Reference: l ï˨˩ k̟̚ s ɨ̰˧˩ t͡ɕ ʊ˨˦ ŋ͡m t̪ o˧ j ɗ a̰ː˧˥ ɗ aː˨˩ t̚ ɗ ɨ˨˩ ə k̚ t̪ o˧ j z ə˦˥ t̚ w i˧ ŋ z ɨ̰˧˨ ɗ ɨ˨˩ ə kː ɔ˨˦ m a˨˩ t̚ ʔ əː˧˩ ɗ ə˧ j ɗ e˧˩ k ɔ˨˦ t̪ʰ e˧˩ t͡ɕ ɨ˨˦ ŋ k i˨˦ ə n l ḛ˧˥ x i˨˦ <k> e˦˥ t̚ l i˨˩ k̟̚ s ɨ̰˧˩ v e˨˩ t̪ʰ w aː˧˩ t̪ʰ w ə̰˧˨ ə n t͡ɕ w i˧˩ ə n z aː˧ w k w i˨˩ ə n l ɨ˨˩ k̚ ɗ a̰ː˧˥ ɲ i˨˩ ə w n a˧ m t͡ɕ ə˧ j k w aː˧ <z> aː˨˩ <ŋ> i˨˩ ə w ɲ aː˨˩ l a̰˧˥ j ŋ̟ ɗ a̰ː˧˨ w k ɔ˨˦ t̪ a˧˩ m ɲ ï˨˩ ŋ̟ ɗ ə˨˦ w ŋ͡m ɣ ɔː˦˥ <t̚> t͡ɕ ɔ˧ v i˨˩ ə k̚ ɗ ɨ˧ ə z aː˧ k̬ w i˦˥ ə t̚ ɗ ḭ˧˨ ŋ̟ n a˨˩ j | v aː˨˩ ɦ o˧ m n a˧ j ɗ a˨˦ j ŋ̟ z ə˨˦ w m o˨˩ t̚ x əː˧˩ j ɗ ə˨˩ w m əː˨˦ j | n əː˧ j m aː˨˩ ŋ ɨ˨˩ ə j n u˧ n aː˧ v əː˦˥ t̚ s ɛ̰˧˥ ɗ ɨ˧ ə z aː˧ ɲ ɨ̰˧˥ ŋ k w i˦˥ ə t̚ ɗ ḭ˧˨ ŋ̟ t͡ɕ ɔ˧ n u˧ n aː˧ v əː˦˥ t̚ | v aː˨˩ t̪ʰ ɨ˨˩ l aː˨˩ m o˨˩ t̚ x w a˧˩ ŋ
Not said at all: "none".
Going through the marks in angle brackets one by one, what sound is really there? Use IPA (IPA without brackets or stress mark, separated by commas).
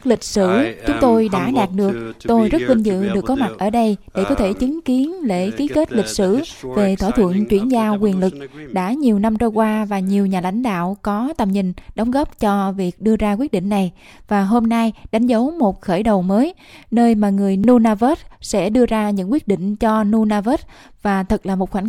k, v, ɲ, p̚